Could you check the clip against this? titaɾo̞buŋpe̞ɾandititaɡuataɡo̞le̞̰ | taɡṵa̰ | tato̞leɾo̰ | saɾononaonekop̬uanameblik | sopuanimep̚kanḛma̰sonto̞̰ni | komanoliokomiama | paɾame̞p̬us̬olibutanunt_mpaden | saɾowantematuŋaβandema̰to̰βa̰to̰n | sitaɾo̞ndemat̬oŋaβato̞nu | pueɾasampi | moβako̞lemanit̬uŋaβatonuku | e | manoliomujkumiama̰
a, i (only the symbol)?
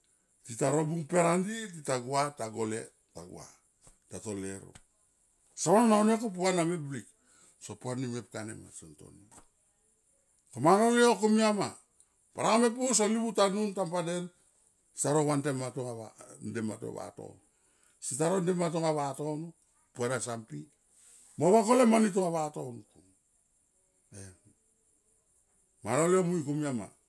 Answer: a